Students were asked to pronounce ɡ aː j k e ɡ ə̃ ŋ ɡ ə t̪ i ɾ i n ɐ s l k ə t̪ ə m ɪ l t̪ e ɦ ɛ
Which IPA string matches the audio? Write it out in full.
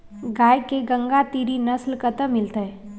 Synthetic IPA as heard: ɡ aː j k e ɡ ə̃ ŋ ɡ a t̪ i ɾ i n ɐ s l k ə t̪ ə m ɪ l t̪ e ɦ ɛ